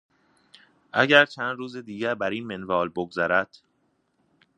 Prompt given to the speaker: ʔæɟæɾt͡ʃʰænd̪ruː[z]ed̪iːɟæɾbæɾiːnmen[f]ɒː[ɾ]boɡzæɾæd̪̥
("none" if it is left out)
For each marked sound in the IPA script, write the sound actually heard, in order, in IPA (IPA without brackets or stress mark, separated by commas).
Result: z, v, l